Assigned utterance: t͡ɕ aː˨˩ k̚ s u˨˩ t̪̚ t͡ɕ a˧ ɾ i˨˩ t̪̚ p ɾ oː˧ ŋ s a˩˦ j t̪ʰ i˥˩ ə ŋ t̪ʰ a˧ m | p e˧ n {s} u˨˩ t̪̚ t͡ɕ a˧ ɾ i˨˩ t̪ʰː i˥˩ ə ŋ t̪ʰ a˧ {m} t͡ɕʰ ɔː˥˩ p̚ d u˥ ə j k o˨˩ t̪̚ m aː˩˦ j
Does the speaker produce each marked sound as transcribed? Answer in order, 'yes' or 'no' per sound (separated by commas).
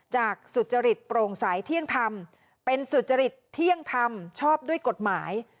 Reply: yes, yes